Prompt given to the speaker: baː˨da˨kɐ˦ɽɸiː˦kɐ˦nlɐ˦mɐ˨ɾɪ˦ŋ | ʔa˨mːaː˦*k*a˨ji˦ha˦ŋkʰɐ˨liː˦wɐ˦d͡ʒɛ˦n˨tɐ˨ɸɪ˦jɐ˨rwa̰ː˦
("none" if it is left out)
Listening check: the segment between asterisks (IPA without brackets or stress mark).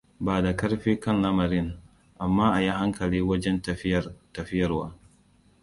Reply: ʔ